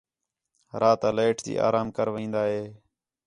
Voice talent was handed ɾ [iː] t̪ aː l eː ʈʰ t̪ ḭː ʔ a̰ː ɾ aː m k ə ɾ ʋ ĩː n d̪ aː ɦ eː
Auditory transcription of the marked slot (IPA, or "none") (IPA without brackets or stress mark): aː